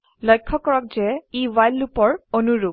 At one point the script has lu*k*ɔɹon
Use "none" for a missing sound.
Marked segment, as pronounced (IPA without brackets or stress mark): p